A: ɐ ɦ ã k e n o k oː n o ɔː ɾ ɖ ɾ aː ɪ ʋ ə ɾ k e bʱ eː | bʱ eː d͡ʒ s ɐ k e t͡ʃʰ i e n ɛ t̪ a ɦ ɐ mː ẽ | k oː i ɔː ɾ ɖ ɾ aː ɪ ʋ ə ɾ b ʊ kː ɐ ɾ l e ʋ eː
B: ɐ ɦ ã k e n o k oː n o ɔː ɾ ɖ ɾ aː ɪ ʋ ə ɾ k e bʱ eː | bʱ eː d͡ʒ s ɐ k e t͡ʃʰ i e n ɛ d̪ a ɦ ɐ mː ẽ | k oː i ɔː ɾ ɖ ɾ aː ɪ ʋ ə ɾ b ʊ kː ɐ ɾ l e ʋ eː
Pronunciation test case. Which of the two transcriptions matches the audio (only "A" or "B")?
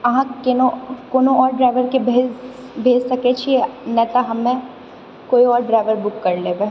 A